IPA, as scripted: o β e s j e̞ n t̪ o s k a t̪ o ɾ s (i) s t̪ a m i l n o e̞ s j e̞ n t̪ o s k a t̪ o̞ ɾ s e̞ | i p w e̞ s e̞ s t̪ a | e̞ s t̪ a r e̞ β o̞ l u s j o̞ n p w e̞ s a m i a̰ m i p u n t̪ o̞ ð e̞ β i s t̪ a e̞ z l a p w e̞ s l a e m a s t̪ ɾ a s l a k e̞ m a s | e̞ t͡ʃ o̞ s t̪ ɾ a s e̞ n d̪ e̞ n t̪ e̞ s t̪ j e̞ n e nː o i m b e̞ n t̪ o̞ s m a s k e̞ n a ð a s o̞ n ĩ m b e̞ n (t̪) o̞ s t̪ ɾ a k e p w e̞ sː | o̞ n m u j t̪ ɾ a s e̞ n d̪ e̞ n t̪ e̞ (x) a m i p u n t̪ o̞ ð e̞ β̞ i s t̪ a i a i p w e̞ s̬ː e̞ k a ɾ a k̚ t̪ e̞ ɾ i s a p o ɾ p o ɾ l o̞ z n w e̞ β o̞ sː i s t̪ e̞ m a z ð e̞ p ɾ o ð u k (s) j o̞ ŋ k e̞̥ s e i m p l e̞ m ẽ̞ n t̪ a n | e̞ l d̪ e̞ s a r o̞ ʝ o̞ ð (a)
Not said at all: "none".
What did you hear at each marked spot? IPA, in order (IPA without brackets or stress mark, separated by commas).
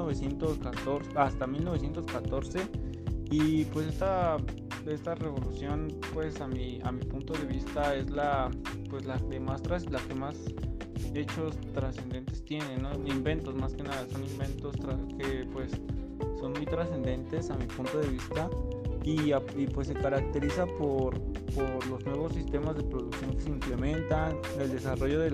a, t̪, s, s, e